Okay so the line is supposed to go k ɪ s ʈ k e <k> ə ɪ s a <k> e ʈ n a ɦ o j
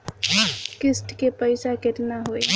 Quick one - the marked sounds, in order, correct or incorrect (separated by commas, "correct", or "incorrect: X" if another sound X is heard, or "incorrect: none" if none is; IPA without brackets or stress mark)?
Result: incorrect: p, correct